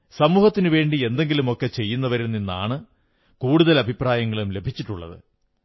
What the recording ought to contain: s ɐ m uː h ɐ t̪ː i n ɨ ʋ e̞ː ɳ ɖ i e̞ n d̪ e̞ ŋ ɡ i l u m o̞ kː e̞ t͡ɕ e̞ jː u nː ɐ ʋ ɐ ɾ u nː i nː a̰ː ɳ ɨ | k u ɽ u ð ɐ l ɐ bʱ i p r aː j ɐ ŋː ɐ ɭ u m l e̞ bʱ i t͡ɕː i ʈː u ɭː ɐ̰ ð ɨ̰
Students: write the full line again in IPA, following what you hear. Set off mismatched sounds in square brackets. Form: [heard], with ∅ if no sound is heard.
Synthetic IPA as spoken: s ɐ m uː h ɐ t̪ː i n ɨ ʋ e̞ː ɳ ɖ i e̞ n d̪ e̞ ŋ ɡ i l u m o̞ kː e̞ t͡ɕ e̞ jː u nː ɐ ʋ ɐ ɾ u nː i nː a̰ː ɳ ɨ | k [uː] ɽ u ð ɐ l ɐ bʱ i p r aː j ɐ ŋː ɐ ɭ u m l e̞ bʱ i t͡ɕː i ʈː u ɭː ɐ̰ ð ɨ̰